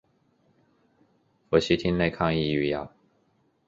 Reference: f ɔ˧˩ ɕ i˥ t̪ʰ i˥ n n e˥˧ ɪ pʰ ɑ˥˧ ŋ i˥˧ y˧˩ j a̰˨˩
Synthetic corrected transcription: f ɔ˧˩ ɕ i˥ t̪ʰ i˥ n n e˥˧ ɪ kʰ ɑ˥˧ ŋ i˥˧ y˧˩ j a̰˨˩